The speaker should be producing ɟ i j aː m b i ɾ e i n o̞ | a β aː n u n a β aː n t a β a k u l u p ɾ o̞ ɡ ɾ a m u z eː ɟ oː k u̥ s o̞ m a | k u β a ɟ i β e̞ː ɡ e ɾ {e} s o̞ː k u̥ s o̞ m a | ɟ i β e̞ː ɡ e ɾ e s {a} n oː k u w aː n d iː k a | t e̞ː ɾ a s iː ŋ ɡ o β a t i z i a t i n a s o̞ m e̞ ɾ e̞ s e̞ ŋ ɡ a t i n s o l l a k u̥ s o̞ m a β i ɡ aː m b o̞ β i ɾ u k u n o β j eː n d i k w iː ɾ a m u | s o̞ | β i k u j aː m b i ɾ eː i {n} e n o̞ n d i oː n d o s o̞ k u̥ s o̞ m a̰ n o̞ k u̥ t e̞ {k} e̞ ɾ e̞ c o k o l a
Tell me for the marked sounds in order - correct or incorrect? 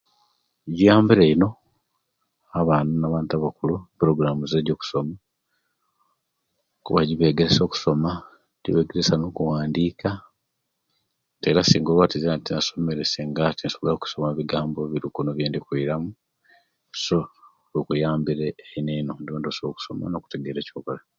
correct, correct, correct, incorrect

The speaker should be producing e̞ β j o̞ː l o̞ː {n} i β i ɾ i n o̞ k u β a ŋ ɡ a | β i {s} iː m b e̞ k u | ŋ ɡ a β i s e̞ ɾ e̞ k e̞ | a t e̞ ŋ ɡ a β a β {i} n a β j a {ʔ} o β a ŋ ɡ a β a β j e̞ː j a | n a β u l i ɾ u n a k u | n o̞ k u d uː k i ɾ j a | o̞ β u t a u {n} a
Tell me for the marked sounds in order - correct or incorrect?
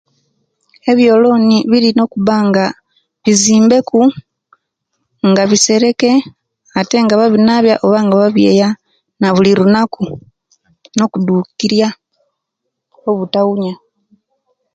correct, incorrect, correct, correct, incorrect

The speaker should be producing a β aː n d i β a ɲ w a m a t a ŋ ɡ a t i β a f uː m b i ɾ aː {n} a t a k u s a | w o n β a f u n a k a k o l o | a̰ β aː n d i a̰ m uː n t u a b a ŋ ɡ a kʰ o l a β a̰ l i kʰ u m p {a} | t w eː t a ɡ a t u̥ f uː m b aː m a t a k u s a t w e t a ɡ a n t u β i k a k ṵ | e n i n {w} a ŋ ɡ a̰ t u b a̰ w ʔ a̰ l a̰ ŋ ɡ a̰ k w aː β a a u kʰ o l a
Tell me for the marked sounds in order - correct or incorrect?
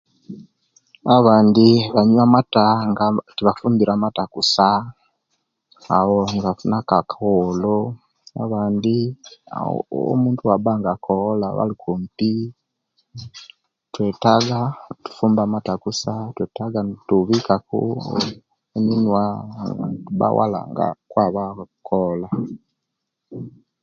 incorrect, incorrect, correct

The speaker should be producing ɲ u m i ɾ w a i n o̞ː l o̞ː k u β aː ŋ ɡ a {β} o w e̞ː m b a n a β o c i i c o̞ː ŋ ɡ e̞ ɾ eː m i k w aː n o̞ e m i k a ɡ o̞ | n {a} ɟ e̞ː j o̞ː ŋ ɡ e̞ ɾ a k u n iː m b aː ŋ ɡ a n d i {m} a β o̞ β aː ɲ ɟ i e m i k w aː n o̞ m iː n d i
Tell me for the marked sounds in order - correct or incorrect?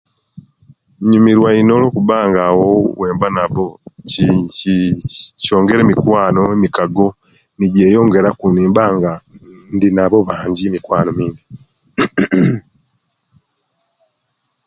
incorrect, incorrect, incorrect

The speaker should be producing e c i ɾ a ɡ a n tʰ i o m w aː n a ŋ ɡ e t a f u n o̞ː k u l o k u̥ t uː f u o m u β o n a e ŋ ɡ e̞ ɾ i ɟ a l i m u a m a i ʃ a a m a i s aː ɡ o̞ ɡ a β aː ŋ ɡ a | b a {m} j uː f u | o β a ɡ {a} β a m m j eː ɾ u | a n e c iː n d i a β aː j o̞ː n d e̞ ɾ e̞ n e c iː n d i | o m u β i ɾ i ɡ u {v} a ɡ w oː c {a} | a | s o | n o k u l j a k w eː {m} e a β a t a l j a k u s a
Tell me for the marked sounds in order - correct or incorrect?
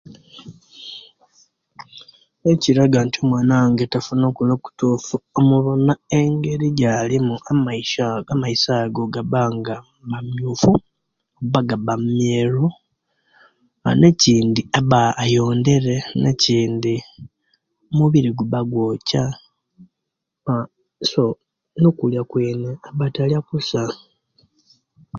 correct, correct, incorrect, correct, incorrect

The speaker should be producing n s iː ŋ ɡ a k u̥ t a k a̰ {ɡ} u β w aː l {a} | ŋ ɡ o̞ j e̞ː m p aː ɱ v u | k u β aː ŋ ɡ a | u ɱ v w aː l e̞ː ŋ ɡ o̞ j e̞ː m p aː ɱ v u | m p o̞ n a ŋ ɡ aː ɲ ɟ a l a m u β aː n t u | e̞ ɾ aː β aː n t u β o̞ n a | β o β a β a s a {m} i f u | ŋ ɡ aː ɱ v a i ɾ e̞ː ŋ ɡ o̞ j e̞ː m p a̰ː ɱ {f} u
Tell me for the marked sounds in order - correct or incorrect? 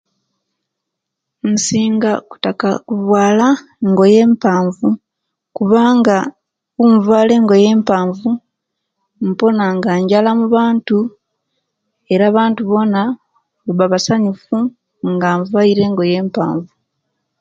incorrect, correct, incorrect, incorrect

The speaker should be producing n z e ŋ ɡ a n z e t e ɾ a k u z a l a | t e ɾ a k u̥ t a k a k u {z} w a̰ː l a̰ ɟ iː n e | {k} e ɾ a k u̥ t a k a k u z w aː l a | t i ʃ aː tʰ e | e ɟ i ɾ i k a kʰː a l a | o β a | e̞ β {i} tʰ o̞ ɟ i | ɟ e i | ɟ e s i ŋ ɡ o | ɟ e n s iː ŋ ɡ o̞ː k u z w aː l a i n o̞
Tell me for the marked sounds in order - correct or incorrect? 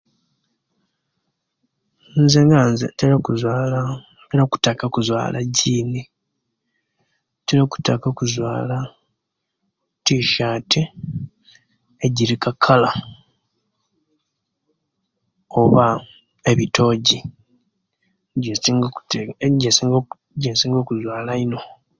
correct, incorrect, correct

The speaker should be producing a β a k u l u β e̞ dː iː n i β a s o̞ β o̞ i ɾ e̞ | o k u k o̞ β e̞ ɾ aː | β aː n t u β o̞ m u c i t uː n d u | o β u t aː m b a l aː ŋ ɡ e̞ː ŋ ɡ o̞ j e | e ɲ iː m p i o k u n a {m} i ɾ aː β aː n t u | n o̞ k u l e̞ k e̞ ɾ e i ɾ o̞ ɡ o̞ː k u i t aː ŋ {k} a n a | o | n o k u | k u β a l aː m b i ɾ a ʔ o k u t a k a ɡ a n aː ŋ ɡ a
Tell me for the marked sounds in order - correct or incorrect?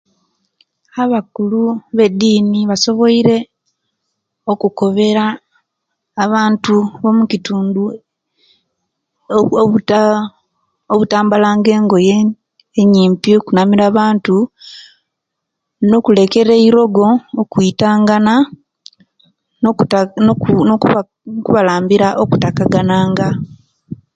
correct, incorrect

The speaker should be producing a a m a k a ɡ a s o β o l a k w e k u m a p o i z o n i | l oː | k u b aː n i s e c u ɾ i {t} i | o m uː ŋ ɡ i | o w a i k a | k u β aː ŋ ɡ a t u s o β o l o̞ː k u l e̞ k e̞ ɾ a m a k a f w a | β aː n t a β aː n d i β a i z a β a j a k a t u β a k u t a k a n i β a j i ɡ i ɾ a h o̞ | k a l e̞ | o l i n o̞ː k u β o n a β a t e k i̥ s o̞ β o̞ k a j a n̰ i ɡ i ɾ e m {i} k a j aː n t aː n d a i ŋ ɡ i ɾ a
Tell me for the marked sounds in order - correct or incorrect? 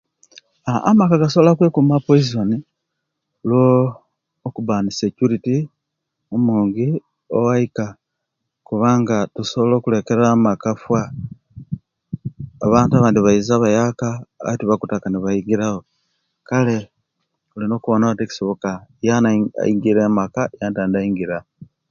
correct, incorrect

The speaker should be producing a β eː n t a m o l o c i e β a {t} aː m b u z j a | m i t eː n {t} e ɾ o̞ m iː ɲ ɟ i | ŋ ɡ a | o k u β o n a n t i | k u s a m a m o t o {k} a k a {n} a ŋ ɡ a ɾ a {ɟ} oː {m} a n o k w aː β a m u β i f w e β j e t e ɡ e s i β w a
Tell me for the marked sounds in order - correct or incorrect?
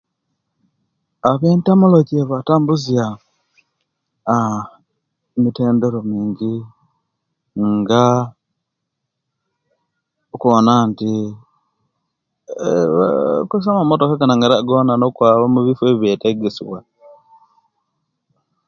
correct, incorrect, correct, correct, incorrect, incorrect

